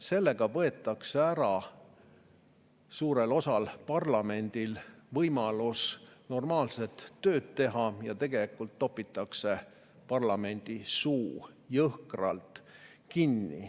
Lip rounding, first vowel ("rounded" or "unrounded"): unrounded